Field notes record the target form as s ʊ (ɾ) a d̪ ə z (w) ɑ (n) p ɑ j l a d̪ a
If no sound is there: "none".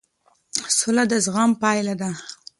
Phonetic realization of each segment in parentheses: l, ɣ, m

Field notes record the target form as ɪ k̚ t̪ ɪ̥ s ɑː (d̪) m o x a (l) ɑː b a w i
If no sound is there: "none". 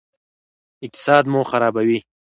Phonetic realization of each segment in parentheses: d̪, ɾ

